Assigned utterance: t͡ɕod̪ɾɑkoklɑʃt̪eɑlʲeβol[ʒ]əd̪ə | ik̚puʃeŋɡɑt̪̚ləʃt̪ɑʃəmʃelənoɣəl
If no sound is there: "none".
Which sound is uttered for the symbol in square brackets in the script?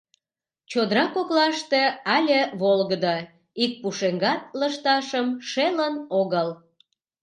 ɣ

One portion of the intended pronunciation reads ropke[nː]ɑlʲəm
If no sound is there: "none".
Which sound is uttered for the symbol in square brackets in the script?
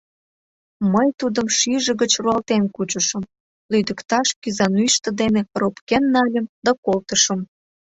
nː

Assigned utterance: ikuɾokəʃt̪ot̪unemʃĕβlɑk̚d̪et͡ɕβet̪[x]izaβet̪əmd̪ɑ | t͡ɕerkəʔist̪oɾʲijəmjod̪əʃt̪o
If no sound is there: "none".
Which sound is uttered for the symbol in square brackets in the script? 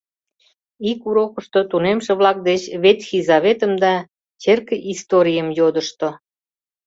x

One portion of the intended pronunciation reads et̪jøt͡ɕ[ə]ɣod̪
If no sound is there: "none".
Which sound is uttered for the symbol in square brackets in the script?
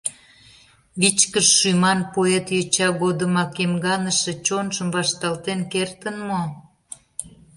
ɑ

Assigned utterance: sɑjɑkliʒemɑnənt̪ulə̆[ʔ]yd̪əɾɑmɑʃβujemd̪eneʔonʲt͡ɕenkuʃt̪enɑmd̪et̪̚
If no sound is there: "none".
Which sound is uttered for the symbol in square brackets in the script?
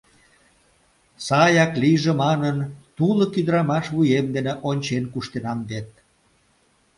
k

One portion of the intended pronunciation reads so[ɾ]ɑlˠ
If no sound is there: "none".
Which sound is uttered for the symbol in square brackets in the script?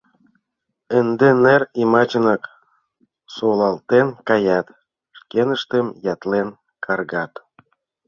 l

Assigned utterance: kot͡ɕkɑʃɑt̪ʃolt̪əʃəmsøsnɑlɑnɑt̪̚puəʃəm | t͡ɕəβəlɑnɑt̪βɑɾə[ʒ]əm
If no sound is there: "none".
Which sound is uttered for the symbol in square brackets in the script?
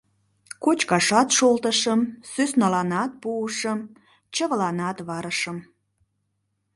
ʃ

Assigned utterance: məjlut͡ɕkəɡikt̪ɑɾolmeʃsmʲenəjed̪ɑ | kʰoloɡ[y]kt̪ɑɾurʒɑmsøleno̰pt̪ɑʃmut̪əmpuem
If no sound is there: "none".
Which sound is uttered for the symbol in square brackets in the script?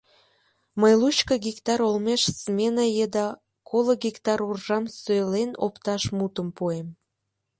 i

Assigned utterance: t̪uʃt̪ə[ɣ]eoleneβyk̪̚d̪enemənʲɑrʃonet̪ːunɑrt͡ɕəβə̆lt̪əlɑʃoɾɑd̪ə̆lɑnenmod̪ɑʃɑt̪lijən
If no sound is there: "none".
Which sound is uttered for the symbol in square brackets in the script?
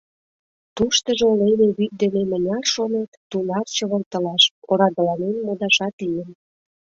ʒ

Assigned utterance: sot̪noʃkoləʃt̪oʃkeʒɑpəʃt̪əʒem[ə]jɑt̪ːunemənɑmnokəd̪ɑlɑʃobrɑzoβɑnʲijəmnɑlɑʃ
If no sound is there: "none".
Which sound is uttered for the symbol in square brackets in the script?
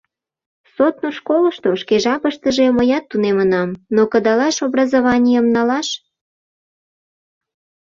ə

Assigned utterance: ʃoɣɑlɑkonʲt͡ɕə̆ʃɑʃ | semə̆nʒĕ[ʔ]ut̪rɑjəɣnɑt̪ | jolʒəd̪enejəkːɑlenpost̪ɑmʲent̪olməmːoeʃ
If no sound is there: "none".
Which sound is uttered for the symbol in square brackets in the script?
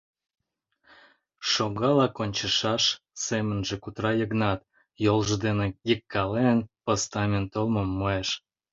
k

